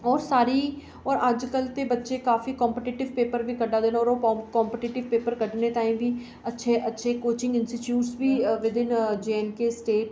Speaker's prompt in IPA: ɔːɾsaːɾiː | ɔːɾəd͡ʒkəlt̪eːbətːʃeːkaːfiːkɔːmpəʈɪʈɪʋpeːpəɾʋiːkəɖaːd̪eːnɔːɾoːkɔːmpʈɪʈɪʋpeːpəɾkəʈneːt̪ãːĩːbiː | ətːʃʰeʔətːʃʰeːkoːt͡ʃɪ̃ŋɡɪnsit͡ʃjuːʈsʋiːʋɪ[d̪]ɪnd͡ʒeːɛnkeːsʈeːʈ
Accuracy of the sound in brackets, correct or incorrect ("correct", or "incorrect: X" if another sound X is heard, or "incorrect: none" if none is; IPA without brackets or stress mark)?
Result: correct